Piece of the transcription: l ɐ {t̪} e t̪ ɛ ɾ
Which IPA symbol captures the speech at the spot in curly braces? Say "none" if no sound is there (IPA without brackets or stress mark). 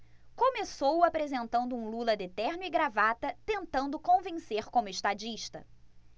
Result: d̪